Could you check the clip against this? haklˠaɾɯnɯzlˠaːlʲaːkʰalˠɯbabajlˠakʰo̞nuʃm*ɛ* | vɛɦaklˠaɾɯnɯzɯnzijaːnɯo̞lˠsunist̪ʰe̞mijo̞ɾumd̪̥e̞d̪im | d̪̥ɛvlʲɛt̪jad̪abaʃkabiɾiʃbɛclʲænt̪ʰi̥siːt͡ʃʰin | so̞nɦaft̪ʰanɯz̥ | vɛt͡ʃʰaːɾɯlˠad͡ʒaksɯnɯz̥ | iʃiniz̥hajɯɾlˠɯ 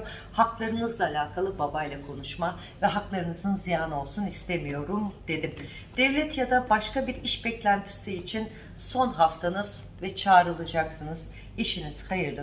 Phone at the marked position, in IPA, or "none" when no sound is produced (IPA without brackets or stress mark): a